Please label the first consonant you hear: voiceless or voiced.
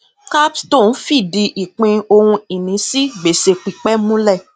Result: voiceless